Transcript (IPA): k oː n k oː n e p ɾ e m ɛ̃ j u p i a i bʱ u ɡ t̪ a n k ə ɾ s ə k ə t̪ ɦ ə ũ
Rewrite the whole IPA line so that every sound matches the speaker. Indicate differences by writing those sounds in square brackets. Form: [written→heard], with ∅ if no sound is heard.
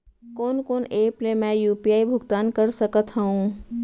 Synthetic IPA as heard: k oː n k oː n e p [ɾ→l] e m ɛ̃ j u p i a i bʱ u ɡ t̪ a n k ə ɾ s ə k ə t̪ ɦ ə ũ

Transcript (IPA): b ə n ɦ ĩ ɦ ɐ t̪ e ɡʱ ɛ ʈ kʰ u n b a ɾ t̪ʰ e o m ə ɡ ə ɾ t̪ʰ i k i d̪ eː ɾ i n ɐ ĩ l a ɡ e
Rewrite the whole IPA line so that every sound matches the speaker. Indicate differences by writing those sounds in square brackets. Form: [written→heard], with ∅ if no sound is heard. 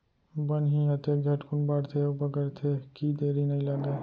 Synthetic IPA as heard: b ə n ɦ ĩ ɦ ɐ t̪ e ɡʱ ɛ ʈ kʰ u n b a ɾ t̪ʰ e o [m→b] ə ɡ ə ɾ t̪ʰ [i→e] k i d̪ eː ɾ i n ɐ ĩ l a ɡ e

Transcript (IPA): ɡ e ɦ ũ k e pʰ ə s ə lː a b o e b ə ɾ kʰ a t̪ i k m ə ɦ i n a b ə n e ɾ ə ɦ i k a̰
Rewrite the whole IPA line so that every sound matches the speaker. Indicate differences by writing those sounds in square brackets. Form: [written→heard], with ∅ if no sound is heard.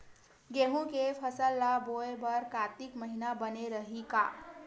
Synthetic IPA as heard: ɡ e ɦ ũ k e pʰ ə s ə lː a b o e b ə ɾ [kʰ→k] a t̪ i k m ə ɦ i n a b ə n e ɾ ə ɦ i k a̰

